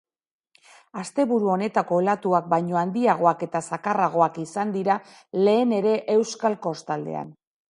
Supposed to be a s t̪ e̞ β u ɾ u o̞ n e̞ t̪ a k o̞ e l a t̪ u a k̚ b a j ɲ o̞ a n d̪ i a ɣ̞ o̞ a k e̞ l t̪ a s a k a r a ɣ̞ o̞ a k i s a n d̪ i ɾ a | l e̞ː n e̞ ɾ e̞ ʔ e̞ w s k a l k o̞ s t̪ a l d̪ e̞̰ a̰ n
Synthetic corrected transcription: a s t̪ e̞ β u ɾ u o̞ n e̞ t̪ a k o̞ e l a t̪ u a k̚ b a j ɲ o̞ a n d̪ i a ɣ̞ o̞ a k e̞ t̪ a s a k a r a ɣ̞ o̞ a k i s a n d̪ i ɾ a | l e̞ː n e̞ ɾ e̞ ʔ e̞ w s k a l k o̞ s t̪ a l d̪ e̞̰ a̰ n